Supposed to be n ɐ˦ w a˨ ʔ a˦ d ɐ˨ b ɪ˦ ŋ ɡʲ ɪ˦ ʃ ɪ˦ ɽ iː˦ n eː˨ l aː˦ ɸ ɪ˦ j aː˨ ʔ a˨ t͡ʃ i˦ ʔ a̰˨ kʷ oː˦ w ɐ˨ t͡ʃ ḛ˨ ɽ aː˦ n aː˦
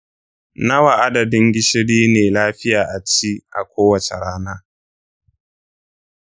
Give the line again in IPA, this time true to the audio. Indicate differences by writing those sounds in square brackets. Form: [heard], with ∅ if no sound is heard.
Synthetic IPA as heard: n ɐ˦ w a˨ ʔ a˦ d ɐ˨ [d] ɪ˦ ŋ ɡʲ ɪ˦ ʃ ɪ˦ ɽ iː˦ n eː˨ l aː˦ ɸ ɪ˦ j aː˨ ʔ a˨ t͡ʃ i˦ ʔ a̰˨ kʷ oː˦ w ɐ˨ t͡ʃ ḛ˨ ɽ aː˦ n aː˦

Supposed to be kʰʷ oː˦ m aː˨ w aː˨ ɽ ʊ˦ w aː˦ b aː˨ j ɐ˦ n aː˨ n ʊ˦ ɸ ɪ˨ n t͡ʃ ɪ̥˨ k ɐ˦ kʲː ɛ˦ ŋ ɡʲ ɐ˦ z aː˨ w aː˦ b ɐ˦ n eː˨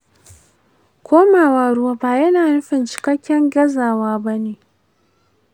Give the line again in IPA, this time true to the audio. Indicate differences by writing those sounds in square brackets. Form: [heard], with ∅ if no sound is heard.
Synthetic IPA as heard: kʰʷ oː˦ m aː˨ w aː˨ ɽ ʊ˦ w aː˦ b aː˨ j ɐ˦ n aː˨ n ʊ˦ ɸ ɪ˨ n t͡ʃ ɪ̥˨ k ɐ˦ kʲː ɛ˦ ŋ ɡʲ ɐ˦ z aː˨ w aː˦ b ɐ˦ n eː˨

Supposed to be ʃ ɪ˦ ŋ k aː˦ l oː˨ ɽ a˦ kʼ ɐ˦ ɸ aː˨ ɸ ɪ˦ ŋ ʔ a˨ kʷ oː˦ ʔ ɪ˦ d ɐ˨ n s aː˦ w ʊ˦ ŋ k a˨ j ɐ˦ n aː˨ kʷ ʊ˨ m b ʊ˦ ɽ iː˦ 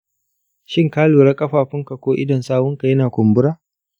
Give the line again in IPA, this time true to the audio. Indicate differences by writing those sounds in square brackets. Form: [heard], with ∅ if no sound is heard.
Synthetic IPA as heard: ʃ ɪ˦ ŋ k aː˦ l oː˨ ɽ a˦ kʼ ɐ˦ ɸ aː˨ ɸ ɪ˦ ŋ [k] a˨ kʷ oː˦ ʔ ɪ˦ d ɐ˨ n s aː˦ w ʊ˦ ŋ k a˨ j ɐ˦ n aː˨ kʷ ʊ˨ m b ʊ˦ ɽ [aː˦]

